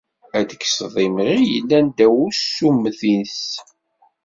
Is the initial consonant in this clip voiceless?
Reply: no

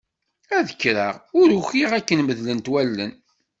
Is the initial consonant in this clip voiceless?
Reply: no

